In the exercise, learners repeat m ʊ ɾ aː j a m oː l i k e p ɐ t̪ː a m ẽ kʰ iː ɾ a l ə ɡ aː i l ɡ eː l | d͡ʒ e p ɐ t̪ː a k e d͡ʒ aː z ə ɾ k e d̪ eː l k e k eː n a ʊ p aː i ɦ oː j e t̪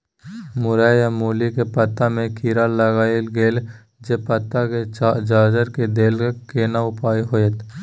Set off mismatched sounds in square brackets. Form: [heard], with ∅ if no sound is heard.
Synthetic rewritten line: m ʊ ɾ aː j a m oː l i k e p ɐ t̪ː a m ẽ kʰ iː ɾ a l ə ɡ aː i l ɡ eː l | d͡ʒ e p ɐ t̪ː a k e d͡ʒ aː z ə ɾ k e d̪ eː l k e k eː n a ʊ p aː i ɦ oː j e t̪